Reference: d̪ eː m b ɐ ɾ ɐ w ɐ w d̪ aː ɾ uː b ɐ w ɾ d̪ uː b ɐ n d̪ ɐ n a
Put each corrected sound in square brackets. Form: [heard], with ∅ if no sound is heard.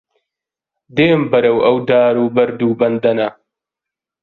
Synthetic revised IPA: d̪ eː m b ɐ ɾ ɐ w ɐ w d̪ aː ɾ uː b ɐ [∅] ɾ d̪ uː b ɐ n d̪ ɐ n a